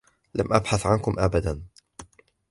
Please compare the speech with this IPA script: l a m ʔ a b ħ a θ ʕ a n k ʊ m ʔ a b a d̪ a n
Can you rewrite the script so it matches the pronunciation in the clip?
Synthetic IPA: l a m ʔ a b ħ a θ ʕ a n k ʊ m ʔ a b a d̪ a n